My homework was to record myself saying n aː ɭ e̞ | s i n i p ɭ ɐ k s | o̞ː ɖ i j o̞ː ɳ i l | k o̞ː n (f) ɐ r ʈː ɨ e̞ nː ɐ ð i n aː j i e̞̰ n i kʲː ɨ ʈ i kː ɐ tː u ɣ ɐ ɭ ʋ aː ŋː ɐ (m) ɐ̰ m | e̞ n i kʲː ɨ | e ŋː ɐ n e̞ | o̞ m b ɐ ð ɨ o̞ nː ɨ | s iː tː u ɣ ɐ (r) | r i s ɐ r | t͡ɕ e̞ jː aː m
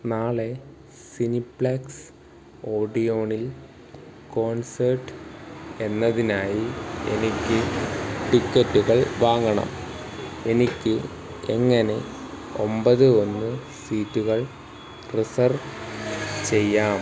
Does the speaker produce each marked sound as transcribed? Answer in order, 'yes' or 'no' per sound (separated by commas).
no, no, no